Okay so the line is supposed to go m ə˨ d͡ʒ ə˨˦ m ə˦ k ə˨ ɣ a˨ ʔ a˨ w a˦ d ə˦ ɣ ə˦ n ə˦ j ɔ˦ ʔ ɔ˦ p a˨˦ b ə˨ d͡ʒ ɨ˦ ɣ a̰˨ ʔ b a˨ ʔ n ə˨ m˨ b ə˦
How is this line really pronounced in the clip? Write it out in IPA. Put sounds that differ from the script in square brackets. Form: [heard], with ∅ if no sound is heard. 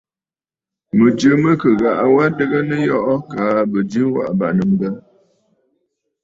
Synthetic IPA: m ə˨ d͡ʒ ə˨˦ m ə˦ k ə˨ ɣ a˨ ʔ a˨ w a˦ d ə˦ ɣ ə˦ n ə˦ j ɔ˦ ʔ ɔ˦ [k] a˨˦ b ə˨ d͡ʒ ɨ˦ [w] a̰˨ ʔ b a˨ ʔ n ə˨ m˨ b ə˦